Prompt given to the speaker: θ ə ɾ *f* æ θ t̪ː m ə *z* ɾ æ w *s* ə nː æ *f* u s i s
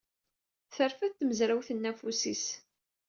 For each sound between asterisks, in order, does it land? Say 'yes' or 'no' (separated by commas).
yes, yes, no, yes